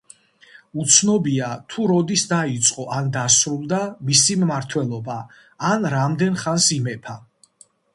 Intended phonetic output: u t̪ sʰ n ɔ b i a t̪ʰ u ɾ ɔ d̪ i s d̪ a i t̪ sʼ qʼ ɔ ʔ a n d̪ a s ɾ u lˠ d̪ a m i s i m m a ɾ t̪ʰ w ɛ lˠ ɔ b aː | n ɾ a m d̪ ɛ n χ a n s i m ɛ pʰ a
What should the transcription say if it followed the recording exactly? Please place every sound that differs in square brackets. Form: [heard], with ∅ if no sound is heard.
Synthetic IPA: u t̪ sʰ n ɔ b i a t̪ʰ u ɾ ɔ d̪ i s d̪ a i t̪ sʼ qʼ ɔ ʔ a n d̪ a s ɾ u lˠ d̪ a m i s i m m a ɾ t̪ʰ w ɛ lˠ ɔ b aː | n ɾ a m d̪ ɛ n χ a n s i m ɛ pʰ a